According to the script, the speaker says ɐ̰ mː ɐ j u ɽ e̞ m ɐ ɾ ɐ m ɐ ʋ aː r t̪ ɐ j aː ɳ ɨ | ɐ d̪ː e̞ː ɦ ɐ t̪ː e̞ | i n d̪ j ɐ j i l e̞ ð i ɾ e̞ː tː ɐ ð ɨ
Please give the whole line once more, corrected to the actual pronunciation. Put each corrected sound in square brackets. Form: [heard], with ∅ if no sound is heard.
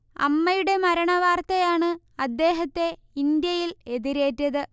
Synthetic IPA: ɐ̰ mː ɐ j u ɽ e̞ m ɐ ɾ ɐ [ɳ] ɐ ʋ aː r t̪ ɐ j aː ɳ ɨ | ɐ d̪ː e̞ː ɦ ɐ t̪ː e̞ | i n d̪ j ɐ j i l e̞ ð i ɾ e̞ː tː ɐ ð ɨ